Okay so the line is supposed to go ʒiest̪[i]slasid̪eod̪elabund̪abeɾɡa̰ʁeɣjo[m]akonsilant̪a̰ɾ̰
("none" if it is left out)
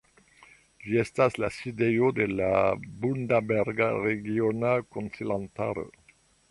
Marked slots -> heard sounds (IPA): a, n

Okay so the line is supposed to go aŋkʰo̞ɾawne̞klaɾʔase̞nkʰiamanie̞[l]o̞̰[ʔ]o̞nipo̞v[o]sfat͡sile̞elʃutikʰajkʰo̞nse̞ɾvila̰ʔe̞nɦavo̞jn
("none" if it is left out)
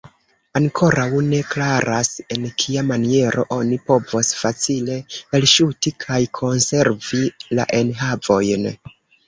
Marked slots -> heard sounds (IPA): ɾ, ʔ, o

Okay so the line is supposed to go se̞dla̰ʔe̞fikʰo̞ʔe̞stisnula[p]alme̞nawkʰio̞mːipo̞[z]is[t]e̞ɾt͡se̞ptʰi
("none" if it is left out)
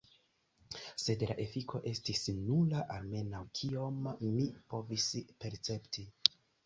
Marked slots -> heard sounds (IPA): ʔ, v, p

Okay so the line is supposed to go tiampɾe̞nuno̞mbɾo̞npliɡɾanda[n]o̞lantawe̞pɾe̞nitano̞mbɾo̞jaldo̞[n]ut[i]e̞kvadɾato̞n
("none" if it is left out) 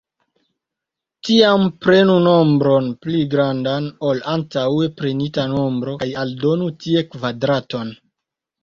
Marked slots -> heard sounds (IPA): n, n, i

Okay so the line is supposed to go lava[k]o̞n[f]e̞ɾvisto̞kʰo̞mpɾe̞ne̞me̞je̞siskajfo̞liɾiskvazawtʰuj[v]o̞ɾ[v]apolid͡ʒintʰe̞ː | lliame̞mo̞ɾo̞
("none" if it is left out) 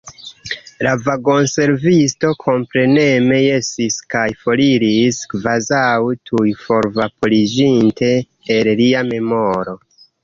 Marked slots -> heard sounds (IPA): ɡ, s, f, v

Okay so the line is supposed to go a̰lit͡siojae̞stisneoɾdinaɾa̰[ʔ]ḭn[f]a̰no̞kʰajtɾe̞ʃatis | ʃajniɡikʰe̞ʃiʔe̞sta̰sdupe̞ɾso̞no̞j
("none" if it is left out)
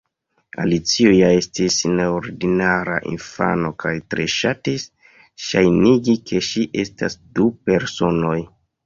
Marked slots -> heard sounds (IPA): ʔ, f

